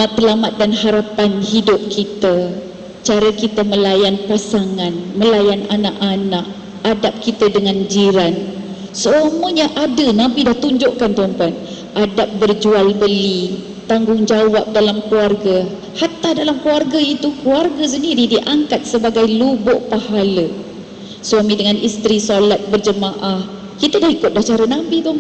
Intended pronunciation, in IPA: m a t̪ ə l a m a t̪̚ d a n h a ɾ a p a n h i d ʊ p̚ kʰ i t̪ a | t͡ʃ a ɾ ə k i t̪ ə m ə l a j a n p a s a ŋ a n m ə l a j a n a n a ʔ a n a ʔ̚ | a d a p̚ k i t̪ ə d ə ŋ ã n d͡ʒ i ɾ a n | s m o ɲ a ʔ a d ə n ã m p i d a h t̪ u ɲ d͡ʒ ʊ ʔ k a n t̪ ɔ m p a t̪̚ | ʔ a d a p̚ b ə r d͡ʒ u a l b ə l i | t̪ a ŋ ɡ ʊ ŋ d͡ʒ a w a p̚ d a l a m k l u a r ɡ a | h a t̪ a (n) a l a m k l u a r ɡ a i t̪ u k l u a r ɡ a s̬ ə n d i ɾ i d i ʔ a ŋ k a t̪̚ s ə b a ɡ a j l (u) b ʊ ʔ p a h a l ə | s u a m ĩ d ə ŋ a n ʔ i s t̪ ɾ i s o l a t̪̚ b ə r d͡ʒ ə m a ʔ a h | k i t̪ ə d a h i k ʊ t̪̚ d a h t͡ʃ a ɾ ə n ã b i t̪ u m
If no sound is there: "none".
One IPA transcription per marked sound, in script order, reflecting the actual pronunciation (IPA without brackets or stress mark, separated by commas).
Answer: d, u